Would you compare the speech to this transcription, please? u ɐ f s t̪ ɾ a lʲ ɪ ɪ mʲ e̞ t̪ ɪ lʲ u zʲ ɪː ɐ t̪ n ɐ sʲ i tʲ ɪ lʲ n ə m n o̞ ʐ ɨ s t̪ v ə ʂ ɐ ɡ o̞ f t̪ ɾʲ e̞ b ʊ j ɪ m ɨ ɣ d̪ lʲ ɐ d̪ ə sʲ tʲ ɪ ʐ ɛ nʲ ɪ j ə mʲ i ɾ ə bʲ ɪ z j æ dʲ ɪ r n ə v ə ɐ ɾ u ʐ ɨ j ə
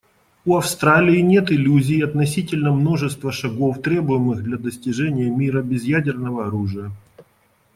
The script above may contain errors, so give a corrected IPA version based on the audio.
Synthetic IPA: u ɐ f s t̪ ɾ a lʲ ɪ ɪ nʲ e̞ t̪ ɪ lʲ u zʲ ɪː ɐ t̪ n ɐ sʲ i tʲ ɪ lʲ n ə m n o̞ ʐ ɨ s t̪ v ə ʂ ɐ ɡ o̞ f t̪ ɾʲ e̞ b ʊ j ɪ m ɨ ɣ d̪ lʲ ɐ d̪ ə sʲ tʲ ɪ ʐ ɛ nʲ ɪ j ə mʲ i ɾ ə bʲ ɪ z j æ dʲ ɪ r n ə v ə ɐ ɾ u ʐ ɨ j ə